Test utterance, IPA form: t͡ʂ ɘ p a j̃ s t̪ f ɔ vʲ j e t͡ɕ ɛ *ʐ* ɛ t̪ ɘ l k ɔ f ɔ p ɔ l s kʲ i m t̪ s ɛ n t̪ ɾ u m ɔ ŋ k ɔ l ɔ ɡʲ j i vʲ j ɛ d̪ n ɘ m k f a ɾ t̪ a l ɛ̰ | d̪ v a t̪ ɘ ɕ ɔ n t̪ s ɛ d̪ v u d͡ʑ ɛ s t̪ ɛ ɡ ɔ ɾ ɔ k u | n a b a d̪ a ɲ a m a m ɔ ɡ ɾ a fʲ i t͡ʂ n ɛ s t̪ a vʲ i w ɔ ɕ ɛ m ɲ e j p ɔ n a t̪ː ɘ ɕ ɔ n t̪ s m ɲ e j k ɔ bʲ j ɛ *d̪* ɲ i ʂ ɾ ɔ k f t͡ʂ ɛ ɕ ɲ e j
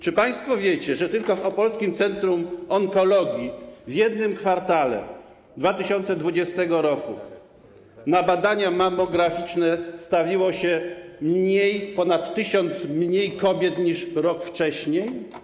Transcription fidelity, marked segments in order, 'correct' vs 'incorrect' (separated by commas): correct, incorrect